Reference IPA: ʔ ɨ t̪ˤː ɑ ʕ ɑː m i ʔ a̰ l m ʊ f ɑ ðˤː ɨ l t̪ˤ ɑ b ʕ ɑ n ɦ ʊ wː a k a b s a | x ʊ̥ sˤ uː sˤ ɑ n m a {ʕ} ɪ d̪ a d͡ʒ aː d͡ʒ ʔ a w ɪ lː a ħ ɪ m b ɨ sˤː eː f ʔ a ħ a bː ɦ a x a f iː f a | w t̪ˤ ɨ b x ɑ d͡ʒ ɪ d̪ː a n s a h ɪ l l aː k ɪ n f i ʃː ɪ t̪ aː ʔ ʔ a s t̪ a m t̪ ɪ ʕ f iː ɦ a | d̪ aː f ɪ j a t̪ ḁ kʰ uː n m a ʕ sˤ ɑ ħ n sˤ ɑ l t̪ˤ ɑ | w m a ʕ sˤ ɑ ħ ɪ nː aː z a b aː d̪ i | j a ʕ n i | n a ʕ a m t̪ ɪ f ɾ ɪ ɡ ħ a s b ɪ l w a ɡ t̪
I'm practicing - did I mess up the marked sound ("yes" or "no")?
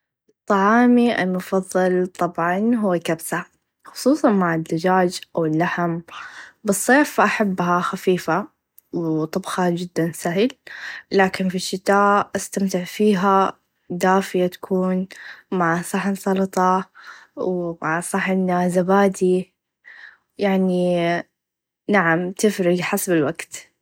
no